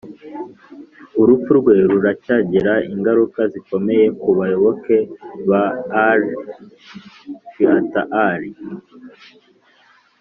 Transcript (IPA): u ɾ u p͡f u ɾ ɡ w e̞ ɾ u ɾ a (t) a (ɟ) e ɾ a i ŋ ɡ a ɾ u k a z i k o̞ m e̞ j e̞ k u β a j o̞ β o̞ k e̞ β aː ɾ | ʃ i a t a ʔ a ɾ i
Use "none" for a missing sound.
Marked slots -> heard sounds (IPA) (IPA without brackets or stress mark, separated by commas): c, ɟ